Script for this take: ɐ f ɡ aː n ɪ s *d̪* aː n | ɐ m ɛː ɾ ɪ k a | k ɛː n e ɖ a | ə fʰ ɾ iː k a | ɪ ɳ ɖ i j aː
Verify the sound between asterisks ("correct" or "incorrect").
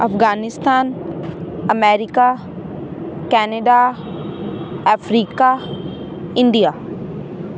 incorrect